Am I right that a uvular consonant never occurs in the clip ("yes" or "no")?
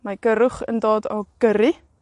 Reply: no